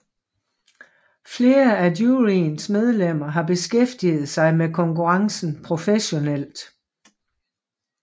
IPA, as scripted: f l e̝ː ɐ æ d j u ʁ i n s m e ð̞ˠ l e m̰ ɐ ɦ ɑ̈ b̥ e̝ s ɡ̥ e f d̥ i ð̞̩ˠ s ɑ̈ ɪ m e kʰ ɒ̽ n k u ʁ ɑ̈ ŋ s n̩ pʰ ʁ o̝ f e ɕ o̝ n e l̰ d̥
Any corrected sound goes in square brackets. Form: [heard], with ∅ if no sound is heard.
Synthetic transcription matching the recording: f l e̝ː ɐ æ d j u ʁ i n s m e ð̞ˠ l e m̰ ɐ ɦ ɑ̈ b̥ e̝ s ɡ̥ e f d̥ i ð̞̩ˠ s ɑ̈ ɪ m e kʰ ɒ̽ [ŋ] k u ʁ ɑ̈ ŋ s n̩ pʰ ʁ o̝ f e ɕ o̝ n e l̰ d̥